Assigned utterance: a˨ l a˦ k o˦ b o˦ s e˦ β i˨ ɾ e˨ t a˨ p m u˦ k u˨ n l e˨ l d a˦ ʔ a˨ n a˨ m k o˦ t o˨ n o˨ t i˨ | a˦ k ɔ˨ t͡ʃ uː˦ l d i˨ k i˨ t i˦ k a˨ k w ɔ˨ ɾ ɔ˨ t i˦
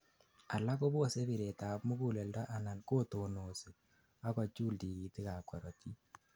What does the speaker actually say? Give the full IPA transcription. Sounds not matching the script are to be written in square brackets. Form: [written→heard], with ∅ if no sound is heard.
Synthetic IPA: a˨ l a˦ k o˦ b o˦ s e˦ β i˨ ɾ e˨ t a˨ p m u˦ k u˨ [n→∅] l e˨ l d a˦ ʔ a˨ n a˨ [m→n] k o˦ t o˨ n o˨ [t→s] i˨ | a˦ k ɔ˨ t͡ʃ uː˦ l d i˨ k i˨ t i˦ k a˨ k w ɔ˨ ɾ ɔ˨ t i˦